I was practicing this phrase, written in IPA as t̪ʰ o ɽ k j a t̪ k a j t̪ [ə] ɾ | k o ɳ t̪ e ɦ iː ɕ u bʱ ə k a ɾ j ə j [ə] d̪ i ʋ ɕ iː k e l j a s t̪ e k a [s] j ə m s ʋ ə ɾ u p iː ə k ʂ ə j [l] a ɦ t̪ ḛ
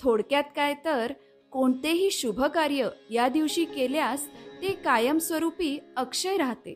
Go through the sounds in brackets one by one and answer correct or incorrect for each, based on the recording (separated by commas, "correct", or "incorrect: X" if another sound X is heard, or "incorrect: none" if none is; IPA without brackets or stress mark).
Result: correct, incorrect: a, incorrect: none, incorrect: ɾ